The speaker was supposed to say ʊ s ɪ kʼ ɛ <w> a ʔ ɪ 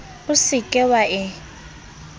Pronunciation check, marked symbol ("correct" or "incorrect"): correct